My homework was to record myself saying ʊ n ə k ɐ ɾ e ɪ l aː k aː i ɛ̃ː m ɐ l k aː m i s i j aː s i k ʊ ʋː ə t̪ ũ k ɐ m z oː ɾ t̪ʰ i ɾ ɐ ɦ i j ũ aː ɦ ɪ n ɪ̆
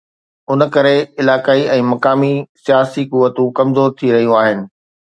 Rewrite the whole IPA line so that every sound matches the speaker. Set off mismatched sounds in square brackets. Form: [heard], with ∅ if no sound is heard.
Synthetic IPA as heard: ʊ n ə k ɐ ɾ e ɪ l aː k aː i ɛ̃ː m ɐ [∅] k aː m i s i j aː s i k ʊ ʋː ə t̪ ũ k ɐ m z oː ɾ t̪ʰ i ɾ ɐ ɦ i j ũ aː ɦ ɪ n ɪ̆